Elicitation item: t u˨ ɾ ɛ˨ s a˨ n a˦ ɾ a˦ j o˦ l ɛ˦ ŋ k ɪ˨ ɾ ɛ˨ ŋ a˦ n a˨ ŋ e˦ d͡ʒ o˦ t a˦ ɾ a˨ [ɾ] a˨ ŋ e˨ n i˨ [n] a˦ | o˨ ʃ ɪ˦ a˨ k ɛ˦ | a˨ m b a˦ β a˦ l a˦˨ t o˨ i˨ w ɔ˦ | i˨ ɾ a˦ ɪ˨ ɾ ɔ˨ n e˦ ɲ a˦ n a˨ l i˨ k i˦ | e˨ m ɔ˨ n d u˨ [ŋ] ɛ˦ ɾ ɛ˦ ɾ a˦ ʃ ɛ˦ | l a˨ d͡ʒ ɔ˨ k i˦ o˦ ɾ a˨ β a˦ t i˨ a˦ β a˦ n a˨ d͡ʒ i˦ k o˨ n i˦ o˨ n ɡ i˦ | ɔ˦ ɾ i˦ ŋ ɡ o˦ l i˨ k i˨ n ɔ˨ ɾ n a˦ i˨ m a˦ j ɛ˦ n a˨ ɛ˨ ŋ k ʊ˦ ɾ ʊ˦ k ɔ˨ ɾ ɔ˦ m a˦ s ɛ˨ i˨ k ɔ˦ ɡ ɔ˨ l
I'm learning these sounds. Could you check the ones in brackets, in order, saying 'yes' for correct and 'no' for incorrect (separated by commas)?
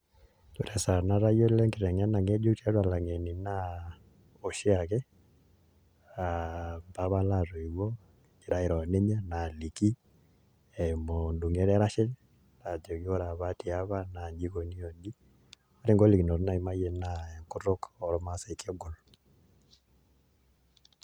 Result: no, yes, yes